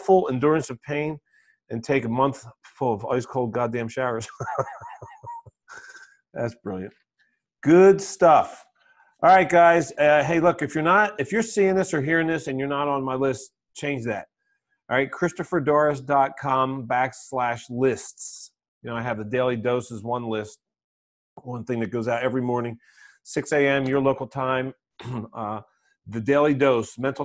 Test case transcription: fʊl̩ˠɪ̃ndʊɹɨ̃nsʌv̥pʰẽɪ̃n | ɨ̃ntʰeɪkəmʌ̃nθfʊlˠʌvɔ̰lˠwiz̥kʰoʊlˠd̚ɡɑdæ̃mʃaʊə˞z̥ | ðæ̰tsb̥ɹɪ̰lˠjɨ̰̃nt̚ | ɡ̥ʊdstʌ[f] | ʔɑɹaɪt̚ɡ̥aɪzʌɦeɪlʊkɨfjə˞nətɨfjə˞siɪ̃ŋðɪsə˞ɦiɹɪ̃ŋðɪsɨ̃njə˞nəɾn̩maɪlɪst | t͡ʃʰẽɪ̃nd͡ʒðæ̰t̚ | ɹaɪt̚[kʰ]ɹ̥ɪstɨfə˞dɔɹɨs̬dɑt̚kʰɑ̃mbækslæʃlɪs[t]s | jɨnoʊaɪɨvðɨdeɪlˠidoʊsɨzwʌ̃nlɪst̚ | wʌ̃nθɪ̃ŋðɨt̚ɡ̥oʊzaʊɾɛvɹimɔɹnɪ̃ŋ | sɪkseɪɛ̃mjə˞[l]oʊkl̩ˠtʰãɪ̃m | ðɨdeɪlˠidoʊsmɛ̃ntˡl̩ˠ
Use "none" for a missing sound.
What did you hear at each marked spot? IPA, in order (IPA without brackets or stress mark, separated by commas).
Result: f, kʰ, t, l